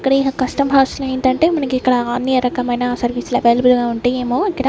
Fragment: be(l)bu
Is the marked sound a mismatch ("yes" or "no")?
no